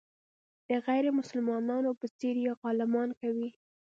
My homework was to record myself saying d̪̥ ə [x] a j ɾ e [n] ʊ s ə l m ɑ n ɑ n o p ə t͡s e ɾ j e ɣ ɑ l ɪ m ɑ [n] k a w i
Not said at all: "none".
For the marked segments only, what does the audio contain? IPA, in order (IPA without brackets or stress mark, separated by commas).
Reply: ɣ, m, n